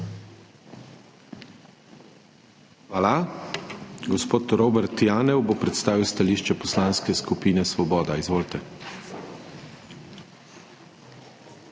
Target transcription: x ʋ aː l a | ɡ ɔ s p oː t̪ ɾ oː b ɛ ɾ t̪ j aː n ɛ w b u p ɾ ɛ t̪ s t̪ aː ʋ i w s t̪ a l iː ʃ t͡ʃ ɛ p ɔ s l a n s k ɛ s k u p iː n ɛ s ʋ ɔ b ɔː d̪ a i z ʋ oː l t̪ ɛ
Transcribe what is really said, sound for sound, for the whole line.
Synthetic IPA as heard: x ʋ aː l a | ɡ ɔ s p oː t̪ ɾ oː b ɛ ɾ t̪ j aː n ɛ w b o p ɾ ɛ t̪ s t̪ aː ʋ i w s t̪ a l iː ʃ t͡ʃ ɛ p ɔ s l a n s k ɛ s k u p iː n ɛ s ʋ ɔ b ɔː d̪ a i z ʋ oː l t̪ ɛ